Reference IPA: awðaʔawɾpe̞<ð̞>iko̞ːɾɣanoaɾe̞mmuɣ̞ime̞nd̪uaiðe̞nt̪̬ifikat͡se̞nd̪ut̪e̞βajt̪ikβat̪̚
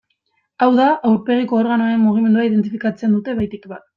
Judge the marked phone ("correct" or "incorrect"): incorrect